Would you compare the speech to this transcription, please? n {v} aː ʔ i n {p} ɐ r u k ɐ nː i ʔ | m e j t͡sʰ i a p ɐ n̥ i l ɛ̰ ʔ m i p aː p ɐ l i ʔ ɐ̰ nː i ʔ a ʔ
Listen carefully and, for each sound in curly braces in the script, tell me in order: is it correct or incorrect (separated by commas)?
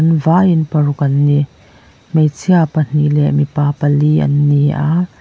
correct, correct